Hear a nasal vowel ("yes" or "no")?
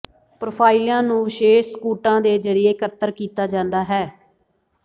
yes